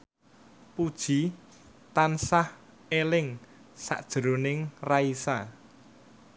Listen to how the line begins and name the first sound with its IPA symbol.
p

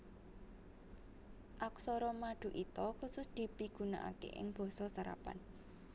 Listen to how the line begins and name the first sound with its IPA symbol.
ʔ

